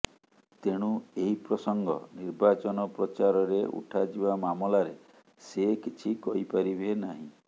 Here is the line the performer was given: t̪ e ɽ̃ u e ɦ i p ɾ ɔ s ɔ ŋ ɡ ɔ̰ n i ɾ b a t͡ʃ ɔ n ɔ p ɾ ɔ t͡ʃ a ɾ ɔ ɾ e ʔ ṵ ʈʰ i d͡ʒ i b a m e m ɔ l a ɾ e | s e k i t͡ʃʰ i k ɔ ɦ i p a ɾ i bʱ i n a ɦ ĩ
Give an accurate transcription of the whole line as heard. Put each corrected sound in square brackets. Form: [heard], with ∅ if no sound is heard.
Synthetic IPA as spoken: t̪ e ɽ̃ u e ɦ i p ɾ ɔ s ɔ ŋ ɡ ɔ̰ n i ɾ b a t͡ʃ ɔ n ɔ p ɾ ɔ t͡ʃ a ɾ ɔ ɾ e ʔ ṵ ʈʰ [a] d͡ʒ i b a m [a] m ɔ l a ɾ e | s e k i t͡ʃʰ i k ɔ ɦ i p a ɾ i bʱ [e] n a ɦ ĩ